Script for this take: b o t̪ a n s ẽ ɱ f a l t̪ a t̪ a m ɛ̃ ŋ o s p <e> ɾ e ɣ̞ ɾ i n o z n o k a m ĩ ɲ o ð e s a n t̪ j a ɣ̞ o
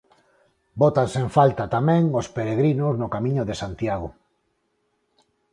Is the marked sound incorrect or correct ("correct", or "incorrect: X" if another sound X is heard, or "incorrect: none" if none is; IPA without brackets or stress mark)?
correct